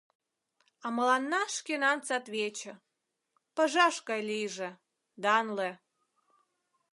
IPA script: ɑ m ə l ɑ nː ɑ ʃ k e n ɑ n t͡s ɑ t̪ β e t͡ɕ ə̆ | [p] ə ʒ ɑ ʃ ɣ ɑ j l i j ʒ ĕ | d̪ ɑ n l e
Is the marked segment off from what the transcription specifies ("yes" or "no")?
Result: no